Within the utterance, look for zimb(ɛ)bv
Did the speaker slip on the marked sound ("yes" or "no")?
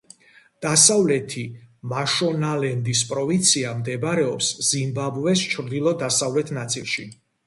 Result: yes